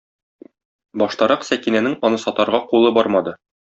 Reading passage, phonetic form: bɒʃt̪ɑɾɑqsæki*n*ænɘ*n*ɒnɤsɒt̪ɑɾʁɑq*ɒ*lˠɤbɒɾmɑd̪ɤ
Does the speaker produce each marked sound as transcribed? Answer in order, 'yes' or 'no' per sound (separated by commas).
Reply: yes, no, no